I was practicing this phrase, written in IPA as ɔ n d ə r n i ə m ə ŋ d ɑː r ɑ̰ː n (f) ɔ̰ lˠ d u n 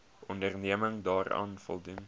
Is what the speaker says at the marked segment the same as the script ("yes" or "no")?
yes